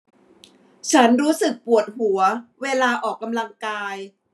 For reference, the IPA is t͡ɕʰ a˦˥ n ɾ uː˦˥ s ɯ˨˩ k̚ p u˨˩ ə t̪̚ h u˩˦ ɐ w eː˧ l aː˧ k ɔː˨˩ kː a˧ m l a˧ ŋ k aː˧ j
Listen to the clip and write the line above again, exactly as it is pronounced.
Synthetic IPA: t͡ɕʰ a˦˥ n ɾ uː˦˥ s ɯ˨˩ k̚ p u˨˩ ə t̪̚ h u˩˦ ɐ w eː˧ l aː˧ ʔ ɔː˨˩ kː a˧ m l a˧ ŋ k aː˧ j